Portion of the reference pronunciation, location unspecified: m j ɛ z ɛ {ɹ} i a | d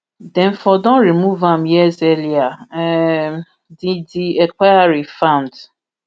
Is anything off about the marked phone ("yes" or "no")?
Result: yes